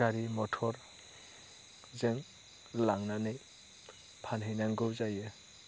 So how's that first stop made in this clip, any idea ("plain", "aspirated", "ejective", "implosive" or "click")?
aspirated